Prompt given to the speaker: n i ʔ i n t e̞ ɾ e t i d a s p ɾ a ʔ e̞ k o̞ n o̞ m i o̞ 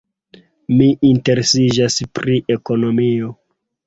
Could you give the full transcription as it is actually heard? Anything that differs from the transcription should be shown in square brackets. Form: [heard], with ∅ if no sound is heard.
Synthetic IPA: [m] i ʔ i n t e̞ ɾ e [s] i [d͡ʒ] a s p ɾ [i] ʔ e̞ k o̞ n o̞ m i o̞